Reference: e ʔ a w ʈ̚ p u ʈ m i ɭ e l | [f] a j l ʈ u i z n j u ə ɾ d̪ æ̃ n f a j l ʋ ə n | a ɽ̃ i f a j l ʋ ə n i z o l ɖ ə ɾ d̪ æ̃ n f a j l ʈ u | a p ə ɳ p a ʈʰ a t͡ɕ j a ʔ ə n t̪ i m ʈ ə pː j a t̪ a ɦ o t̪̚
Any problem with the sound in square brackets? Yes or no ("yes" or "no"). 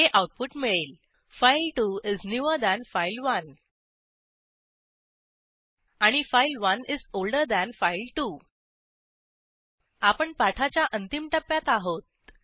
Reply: no